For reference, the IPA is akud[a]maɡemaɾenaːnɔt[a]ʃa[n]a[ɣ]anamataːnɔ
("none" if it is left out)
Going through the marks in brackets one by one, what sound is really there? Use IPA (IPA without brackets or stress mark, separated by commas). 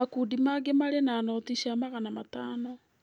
i, i, m, ɣ